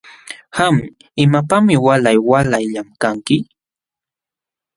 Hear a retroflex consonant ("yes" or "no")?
no